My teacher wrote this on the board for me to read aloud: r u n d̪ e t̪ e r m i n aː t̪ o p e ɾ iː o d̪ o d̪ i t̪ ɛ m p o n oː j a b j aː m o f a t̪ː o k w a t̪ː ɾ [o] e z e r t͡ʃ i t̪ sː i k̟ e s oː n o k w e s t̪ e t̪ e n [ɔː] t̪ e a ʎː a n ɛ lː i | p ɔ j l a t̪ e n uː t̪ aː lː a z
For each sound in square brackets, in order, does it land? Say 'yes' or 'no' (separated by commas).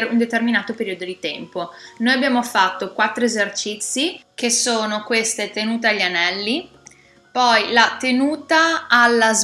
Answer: yes, no